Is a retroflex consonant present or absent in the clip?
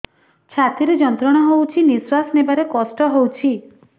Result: present